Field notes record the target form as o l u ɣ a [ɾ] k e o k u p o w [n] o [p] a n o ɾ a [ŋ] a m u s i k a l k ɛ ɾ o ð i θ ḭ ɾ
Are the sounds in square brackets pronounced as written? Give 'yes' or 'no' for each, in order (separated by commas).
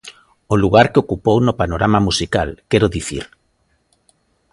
yes, yes, yes, no